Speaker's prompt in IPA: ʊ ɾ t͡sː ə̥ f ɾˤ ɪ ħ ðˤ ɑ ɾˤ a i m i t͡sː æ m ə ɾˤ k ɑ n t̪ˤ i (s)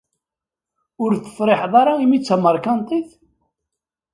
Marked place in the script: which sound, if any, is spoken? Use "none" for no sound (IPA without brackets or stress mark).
θ